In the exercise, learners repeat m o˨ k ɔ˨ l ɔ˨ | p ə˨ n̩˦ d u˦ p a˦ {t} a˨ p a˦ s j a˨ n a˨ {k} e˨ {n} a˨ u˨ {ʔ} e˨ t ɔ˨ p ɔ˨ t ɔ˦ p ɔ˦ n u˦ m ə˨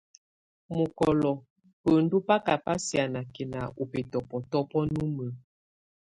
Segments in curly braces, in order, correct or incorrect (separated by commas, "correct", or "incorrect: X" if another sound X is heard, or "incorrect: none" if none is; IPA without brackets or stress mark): incorrect: k, correct, correct, incorrect: p